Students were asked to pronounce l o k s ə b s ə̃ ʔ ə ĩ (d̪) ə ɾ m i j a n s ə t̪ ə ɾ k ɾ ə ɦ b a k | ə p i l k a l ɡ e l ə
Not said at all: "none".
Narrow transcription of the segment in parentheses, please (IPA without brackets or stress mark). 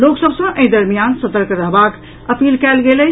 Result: d̪